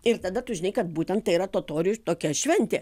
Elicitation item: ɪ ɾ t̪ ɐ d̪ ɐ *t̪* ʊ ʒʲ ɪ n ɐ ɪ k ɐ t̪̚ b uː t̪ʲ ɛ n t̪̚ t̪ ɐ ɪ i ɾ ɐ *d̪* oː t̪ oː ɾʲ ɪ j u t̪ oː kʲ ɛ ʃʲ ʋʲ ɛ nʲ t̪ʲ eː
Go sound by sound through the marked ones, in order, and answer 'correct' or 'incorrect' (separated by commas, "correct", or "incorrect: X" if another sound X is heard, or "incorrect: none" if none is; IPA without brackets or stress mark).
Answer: correct, incorrect: t̪